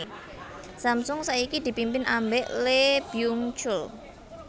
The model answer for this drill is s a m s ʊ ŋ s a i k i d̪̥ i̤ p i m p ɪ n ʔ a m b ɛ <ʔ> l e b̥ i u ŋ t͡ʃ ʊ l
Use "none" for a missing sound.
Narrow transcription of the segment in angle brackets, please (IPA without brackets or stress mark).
ʔ